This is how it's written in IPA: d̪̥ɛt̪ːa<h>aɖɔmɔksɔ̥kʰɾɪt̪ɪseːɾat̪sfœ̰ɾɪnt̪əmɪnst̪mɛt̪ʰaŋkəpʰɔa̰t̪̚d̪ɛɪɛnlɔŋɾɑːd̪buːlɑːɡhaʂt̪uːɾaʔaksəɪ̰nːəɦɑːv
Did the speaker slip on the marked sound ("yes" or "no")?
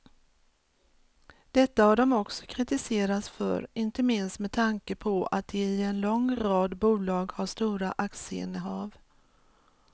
no